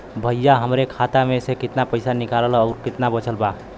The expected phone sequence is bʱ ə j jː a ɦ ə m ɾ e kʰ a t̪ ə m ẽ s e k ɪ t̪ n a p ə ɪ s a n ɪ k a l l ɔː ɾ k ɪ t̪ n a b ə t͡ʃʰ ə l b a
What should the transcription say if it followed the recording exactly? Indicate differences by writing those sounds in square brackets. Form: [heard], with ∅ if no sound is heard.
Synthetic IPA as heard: bʱ ə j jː a ɦ ə m ɾ e kʰ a t̪ [a] m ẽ s e k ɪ t̪ n a p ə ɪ s a n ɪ k a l l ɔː ɾ k ɪ t̪ n a b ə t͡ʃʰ ə l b a